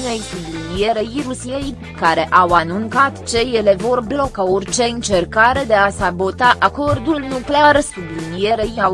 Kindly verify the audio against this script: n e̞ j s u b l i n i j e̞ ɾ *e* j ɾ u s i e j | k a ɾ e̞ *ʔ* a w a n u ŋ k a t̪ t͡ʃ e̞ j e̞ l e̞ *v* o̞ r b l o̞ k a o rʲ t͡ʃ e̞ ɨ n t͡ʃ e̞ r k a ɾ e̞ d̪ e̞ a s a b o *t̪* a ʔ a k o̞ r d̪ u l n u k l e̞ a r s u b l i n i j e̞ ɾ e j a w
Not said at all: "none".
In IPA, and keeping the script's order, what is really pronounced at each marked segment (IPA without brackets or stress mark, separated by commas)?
e, ʔ, v, t̪